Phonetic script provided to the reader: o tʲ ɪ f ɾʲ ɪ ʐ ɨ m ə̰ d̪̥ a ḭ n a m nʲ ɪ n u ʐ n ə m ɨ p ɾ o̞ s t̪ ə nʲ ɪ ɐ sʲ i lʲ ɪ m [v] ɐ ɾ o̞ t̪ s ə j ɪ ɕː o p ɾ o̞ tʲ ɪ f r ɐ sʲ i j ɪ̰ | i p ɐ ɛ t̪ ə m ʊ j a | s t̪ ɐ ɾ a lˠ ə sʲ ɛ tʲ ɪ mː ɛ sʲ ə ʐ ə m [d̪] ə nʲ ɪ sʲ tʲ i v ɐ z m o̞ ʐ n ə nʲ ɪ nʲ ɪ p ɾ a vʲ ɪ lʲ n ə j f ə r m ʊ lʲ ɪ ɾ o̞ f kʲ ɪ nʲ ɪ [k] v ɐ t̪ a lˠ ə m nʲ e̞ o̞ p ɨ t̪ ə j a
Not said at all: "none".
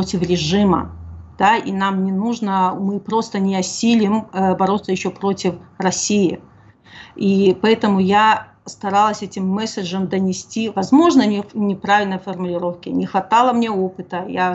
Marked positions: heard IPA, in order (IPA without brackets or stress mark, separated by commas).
b, d̪, x